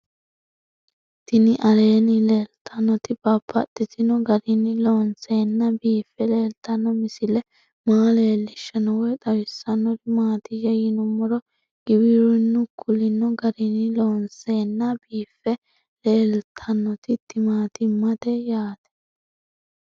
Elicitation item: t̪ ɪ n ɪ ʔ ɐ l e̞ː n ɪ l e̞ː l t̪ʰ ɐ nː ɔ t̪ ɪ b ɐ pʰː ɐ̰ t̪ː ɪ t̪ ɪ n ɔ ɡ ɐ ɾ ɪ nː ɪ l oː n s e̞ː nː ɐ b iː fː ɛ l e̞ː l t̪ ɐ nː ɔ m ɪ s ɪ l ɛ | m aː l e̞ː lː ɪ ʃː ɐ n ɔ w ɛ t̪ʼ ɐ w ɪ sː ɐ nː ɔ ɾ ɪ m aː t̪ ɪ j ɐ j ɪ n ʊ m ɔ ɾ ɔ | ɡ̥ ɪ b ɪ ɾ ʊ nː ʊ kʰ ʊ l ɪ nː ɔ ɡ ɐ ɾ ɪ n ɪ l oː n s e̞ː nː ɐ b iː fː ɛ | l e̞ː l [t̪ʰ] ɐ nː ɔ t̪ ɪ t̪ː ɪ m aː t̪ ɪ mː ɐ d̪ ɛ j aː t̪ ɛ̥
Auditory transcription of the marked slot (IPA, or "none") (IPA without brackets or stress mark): t̪ʰ